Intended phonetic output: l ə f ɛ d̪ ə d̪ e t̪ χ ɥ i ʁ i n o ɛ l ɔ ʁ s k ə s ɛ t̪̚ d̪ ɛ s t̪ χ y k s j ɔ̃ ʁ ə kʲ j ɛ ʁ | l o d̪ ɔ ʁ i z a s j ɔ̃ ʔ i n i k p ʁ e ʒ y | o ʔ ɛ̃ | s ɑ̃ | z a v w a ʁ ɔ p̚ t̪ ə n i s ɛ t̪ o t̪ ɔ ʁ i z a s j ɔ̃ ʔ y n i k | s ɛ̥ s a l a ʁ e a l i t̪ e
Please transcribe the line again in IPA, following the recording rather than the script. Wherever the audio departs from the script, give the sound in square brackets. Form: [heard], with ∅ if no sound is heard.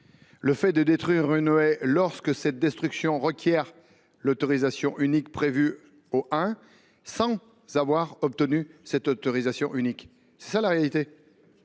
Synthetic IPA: l ə f ɛ d̪ ə d̪ e t̪ χ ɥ i ʁ [y] n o ɛ l ɔ ʁ s k ə s ɛ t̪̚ d̪ ɛ s t̪ χ y k s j ɔ̃ ʁ ə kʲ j ɛ ʁ | l o [t̪] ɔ ʁ i z a s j ɔ̃ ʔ [y] n i k p [χ] e [v] y | o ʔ ɛ̃ | s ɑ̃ | z a v w a ʁ ɔ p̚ t̪ ə n [y] s ɛ t̪ o t̪ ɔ ʁ i z a s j ɔ̃ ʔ y n i k | s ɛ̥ s a l a ʁ e a l i t̪ e